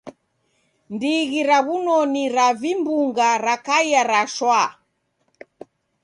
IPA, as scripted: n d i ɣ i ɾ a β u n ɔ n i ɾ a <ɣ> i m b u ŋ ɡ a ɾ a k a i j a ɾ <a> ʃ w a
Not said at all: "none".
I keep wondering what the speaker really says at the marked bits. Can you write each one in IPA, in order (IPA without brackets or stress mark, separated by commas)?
v, a